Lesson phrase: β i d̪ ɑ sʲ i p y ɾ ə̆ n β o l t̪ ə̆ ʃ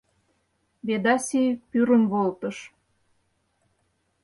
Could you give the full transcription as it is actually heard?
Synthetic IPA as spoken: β e d̪ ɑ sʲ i p y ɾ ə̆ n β o l t̪ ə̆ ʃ